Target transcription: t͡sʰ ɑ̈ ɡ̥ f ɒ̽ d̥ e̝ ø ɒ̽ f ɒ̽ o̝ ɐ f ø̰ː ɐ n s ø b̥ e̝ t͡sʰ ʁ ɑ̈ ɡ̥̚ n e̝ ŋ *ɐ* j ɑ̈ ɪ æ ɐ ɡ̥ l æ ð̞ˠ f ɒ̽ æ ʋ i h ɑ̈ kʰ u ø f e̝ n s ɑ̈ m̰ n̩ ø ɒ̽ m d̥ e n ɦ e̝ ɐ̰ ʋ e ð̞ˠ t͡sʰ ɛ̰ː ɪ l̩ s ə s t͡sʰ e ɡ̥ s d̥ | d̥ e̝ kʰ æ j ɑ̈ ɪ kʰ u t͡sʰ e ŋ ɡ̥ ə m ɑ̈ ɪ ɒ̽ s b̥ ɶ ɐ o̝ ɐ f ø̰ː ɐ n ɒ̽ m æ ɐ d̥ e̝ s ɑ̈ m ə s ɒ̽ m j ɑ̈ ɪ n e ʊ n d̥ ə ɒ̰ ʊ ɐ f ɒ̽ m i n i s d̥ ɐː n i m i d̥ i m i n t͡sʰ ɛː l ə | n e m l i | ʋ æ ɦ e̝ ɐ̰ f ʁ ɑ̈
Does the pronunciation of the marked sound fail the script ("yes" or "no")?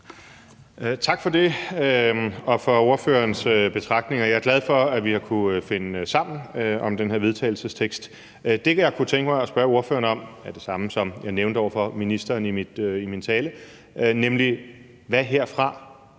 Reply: no